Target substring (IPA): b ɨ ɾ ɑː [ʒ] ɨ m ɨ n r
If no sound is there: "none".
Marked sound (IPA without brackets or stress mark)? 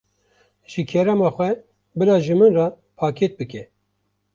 ʒ